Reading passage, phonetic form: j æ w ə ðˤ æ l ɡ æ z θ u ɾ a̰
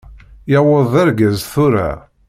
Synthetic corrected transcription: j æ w ə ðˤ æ ɾ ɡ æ z θ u ɾ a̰